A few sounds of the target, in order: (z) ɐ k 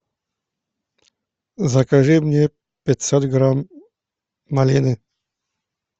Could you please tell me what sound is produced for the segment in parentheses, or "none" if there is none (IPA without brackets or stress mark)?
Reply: z